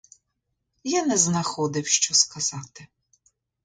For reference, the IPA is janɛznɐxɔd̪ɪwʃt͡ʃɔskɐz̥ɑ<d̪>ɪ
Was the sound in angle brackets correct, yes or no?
no